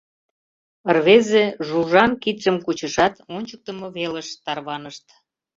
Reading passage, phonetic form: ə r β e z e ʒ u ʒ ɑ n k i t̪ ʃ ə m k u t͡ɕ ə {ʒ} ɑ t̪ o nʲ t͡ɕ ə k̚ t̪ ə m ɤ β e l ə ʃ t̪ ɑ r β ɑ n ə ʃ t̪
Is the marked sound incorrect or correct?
incorrect: ʃ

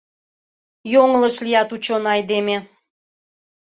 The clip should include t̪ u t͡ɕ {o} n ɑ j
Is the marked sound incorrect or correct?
correct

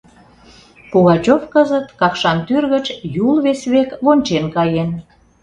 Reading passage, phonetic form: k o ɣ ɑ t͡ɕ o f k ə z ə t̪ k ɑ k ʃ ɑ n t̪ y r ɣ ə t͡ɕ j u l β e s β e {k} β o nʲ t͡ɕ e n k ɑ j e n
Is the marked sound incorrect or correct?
correct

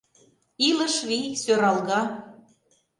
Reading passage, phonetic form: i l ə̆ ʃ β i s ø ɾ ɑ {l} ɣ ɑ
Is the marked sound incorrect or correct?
correct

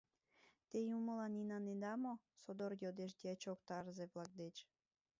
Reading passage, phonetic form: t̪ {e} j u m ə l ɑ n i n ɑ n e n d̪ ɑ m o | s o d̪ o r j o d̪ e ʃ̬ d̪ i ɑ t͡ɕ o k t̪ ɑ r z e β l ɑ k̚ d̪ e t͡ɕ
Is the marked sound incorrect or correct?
correct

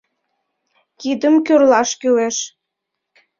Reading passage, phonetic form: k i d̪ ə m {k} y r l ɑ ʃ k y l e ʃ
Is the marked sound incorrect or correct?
correct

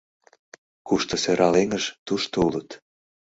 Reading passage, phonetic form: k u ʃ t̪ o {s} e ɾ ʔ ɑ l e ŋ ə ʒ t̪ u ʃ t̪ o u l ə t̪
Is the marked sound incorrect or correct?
correct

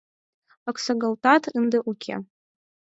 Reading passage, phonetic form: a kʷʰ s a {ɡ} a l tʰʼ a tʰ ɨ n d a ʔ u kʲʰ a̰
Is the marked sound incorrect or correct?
correct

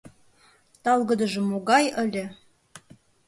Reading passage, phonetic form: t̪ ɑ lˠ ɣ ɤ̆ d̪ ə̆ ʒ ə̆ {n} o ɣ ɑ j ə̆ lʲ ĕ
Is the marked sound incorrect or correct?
incorrect: m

